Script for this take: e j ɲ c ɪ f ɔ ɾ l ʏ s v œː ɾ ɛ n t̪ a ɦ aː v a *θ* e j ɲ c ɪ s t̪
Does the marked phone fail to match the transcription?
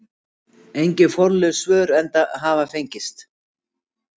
yes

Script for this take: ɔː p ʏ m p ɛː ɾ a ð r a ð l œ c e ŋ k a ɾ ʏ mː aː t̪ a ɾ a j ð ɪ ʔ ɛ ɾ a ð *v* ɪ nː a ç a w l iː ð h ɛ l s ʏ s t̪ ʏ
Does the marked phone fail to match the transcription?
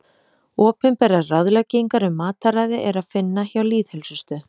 yes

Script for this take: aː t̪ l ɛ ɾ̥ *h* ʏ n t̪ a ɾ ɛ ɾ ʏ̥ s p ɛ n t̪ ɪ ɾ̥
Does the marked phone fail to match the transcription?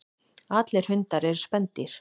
no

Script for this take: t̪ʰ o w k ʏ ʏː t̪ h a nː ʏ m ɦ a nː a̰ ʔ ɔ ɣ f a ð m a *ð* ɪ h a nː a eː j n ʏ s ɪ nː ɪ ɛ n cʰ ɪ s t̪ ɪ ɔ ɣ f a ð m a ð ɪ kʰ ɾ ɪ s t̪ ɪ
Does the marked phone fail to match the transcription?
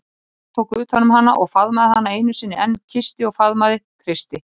no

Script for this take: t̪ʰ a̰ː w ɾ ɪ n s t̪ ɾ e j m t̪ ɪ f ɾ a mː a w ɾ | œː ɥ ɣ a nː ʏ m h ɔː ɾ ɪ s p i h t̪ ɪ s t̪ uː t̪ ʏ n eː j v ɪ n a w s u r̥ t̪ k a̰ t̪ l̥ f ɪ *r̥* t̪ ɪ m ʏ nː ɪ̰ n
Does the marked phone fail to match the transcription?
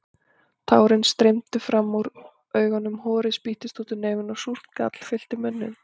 yes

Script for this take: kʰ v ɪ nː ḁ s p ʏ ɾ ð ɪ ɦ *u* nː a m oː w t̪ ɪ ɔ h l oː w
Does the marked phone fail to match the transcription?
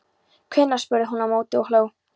no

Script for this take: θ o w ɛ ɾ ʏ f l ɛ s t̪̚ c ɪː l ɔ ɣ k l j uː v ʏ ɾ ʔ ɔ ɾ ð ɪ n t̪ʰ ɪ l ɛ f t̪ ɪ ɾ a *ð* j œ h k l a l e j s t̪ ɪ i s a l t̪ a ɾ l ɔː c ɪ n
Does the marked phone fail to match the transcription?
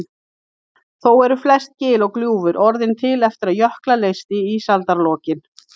no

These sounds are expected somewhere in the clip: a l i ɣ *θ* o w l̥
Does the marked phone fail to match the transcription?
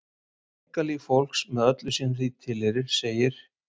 yes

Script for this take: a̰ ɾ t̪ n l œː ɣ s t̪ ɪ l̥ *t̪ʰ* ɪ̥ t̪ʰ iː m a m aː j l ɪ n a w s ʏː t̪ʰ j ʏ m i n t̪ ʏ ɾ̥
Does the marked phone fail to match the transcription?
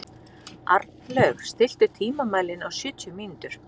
yes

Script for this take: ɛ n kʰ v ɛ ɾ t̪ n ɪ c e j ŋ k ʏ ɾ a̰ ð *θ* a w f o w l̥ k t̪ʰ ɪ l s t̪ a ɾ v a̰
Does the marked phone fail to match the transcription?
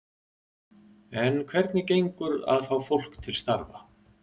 yes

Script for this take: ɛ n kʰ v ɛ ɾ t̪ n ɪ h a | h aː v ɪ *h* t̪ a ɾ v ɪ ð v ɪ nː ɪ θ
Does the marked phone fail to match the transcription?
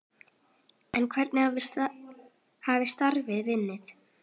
yes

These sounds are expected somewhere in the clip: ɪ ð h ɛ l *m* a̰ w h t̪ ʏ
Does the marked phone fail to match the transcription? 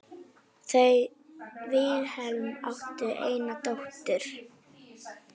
no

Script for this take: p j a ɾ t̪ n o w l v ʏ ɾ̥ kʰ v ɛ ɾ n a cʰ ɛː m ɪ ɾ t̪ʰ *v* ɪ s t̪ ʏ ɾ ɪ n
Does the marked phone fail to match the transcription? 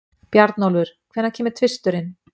no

